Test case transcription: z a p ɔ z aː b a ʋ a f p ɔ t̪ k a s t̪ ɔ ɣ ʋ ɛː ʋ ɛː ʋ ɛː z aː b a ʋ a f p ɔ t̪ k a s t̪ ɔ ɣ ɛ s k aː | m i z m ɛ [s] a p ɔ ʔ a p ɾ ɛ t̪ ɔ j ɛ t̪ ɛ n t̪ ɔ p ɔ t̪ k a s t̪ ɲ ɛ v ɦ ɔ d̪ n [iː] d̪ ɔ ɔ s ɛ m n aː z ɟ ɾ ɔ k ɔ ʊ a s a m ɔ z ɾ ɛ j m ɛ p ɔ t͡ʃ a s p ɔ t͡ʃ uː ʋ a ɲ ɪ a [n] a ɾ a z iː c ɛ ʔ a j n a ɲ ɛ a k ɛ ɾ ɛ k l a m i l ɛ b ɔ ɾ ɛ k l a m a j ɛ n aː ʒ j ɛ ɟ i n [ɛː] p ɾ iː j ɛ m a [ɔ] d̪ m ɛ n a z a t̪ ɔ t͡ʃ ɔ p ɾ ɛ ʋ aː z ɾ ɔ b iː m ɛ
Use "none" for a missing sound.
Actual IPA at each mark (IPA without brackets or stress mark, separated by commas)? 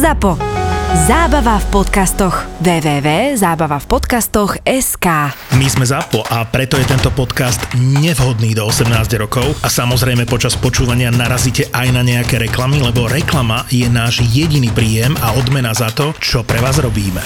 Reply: z, iː, n, iː, ɔ